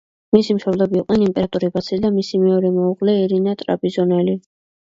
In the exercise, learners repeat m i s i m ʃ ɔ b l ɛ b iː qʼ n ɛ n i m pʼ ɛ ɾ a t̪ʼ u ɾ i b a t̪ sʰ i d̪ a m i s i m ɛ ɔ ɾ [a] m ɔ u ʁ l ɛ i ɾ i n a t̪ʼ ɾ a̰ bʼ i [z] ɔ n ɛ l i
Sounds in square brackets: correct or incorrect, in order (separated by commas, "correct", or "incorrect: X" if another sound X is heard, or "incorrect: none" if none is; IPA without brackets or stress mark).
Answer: incorrect: ɛ, correct